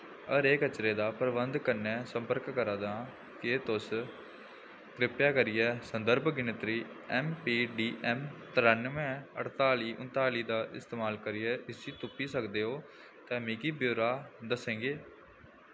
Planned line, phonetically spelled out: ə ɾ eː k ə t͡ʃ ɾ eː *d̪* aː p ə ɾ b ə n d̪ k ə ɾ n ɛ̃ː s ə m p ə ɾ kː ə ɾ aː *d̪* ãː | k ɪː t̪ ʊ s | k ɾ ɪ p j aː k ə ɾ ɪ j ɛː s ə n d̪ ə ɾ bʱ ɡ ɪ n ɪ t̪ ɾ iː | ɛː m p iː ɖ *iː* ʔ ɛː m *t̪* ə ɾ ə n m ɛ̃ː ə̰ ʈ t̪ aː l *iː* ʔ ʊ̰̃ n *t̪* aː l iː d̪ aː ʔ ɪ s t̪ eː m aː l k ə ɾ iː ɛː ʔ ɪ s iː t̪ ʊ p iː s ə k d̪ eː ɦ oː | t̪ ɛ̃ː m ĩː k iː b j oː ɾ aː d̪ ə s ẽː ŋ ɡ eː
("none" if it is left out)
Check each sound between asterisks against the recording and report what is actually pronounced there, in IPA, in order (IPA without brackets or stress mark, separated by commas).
d̪, d̪, iː, t̪, iː, t̪